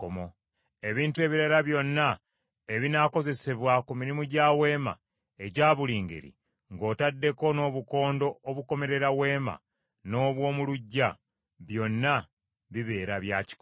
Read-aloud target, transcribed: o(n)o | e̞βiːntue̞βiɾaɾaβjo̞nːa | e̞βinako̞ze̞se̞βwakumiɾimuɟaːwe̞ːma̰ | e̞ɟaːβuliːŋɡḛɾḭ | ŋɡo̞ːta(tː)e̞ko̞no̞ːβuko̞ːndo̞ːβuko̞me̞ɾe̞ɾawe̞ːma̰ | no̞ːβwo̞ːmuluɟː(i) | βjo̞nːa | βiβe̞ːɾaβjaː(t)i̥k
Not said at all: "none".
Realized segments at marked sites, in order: m, dː, a, c

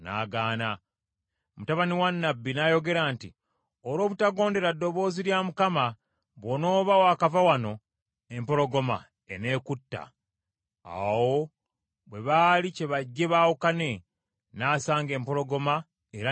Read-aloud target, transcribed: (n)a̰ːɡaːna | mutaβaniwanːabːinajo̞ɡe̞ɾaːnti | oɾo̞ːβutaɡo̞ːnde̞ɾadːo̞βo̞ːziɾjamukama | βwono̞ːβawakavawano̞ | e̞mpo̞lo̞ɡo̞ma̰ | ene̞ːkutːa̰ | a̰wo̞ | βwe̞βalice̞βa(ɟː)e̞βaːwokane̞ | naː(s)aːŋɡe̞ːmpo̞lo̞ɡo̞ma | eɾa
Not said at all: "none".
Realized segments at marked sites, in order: n, ɟː, s

